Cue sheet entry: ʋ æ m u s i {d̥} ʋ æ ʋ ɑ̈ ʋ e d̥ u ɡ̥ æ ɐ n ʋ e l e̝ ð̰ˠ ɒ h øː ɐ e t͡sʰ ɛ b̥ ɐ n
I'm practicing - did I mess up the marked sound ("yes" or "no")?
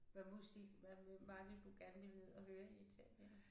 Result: yes